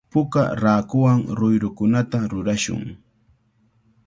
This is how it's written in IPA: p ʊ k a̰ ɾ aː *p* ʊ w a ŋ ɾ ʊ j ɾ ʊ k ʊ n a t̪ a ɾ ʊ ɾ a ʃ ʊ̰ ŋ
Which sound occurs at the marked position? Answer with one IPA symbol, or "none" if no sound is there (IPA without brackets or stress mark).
k